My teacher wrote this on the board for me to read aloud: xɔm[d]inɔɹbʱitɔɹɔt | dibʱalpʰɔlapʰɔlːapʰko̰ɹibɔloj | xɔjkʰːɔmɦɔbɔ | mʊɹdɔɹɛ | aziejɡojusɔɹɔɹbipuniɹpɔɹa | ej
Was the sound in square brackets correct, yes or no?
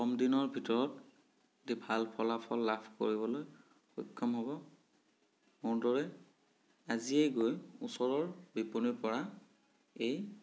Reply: yes